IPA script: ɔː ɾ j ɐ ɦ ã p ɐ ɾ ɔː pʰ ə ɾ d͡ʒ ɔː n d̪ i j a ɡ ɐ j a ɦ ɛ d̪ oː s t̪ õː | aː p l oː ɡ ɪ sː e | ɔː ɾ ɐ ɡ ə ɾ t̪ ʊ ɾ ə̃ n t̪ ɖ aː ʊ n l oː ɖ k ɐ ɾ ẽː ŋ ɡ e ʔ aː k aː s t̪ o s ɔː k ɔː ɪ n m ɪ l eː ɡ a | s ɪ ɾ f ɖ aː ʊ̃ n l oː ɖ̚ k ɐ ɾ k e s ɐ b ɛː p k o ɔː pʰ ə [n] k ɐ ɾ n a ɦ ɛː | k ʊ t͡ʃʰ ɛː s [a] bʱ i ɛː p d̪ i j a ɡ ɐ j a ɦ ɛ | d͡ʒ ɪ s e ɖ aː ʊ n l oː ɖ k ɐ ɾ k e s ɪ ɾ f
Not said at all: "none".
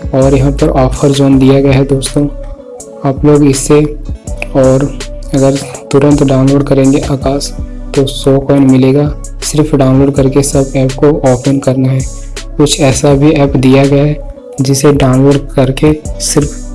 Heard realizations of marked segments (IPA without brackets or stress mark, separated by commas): n, a